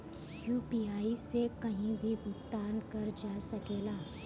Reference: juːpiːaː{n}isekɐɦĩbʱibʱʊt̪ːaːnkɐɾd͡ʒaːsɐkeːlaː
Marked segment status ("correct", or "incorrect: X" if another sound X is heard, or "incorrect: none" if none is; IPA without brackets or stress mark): incorrect: none